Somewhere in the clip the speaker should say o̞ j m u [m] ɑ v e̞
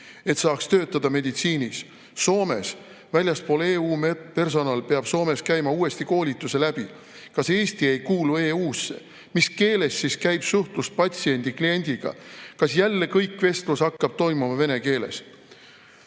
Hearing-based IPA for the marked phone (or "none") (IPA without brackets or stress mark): m